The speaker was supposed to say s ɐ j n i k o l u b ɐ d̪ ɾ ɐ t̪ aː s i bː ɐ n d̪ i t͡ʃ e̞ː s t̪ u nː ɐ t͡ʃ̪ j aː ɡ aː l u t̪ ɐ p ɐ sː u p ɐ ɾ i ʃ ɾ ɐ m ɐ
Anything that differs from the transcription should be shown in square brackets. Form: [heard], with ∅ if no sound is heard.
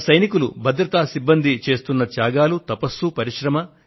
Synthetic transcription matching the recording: s ɐ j n i k [u] l u b ɐ d̪ ɾ ɐ t̪ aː s i bː ɐ n d̪ i t͡ʃ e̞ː s t̪ u nː ɐ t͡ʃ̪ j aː ɡ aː l u t̪ ɐ p ɐ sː u p ɐ ɾ i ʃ ɾ ɐ m ɐ